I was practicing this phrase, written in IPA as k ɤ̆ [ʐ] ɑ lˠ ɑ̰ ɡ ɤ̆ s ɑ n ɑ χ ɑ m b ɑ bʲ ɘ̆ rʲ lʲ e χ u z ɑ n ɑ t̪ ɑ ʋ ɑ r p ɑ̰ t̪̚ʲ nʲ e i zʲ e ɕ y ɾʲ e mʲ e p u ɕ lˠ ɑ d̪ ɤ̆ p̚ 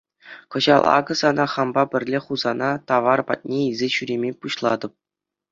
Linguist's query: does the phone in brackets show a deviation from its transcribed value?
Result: yes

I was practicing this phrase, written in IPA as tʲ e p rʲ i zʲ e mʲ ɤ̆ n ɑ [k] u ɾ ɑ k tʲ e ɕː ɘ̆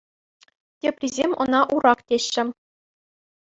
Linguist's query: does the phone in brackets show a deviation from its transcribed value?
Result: yes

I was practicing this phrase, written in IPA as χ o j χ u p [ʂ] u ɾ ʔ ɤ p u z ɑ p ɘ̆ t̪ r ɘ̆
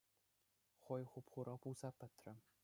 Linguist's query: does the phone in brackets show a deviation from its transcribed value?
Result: yes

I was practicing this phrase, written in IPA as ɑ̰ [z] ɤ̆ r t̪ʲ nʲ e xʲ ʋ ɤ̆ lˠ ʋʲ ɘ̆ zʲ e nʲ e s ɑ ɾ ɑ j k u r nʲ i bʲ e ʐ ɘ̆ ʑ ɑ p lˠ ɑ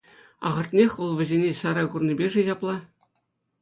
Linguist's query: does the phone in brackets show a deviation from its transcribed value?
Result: yes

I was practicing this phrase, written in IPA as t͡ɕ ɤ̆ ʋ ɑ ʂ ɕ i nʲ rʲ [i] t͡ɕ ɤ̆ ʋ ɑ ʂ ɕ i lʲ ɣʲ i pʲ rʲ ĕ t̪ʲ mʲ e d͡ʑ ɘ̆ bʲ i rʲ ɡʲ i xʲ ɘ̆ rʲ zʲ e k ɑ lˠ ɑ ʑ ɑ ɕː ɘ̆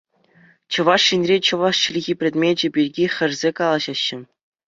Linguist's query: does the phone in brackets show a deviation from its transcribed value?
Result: yes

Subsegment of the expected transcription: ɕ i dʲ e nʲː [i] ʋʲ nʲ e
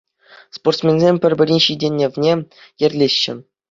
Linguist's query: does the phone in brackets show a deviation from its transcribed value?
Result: yes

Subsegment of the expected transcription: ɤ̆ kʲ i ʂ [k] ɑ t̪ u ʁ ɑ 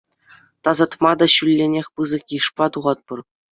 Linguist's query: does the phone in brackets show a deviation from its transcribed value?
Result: yes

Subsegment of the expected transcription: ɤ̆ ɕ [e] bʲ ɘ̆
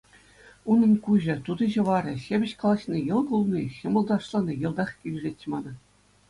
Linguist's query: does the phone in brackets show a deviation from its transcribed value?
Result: no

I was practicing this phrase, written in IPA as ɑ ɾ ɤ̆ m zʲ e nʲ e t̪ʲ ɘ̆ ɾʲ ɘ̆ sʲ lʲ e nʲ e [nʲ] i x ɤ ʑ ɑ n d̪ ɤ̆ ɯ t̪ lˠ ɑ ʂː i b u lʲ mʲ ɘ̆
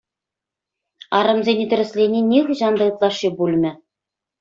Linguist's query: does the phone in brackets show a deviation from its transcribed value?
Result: no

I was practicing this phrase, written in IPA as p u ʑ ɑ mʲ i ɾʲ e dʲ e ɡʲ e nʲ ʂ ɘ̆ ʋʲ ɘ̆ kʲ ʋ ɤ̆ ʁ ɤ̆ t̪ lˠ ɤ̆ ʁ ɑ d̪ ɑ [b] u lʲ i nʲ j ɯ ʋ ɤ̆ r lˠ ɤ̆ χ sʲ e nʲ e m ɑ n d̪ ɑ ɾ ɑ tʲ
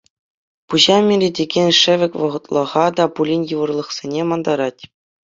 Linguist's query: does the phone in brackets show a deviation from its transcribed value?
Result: yes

